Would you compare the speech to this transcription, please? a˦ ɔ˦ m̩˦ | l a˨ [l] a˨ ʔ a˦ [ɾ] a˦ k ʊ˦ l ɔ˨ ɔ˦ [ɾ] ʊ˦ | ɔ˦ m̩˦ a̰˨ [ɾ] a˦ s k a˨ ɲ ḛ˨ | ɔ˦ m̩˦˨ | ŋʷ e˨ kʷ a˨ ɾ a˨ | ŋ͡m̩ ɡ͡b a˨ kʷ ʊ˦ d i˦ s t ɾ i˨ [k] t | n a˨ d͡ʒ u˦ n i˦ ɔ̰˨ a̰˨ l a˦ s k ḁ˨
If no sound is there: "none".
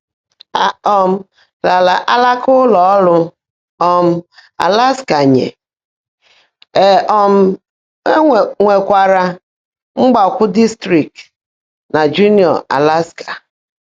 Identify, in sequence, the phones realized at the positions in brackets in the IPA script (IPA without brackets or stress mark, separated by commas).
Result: l, l, l, l, k